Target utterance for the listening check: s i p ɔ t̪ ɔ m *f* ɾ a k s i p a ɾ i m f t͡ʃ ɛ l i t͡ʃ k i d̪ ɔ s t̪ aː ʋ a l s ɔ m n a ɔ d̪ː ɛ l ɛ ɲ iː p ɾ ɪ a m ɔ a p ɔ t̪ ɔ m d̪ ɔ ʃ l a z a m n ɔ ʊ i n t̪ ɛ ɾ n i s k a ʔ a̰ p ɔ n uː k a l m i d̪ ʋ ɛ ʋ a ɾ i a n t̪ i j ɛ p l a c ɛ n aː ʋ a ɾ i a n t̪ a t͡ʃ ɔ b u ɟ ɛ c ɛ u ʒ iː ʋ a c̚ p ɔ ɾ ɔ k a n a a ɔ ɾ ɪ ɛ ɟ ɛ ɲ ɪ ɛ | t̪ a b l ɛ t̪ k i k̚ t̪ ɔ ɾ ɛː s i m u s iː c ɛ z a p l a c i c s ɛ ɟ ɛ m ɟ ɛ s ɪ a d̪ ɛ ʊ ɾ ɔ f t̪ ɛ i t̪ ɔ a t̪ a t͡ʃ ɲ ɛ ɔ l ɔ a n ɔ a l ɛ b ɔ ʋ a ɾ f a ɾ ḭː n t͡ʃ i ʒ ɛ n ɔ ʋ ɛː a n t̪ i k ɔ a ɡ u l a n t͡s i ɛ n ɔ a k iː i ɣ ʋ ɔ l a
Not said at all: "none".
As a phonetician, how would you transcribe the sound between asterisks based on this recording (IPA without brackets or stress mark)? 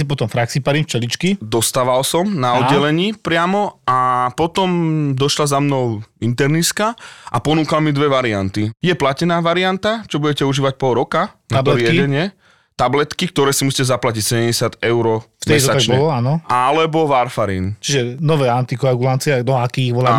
f